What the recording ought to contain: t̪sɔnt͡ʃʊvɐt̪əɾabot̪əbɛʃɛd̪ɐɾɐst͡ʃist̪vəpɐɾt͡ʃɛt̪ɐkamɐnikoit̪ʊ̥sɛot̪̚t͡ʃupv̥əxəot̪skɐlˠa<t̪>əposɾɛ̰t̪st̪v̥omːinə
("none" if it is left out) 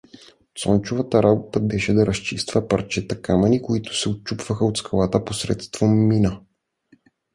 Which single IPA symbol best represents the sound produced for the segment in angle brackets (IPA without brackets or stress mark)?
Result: t̪